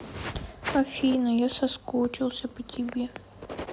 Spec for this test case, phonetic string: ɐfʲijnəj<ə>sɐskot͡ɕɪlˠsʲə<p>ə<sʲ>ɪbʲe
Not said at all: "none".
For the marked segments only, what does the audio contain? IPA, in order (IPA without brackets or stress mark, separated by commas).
a, p, tʲ